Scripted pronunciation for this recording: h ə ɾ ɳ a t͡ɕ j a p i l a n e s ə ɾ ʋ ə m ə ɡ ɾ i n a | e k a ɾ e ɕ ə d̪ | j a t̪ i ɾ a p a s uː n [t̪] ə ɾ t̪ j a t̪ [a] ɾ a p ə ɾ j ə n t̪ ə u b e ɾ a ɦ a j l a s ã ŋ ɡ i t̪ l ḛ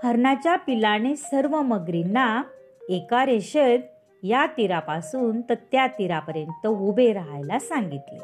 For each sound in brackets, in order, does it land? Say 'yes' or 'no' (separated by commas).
yes, no